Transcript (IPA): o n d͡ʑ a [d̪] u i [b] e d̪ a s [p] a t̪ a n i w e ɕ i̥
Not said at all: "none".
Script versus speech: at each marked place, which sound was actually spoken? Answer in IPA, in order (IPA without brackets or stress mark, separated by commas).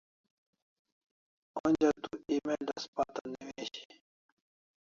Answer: t̪, m, p